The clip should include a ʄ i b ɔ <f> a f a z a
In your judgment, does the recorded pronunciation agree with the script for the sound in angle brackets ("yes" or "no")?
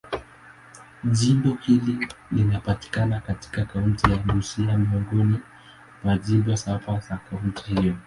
no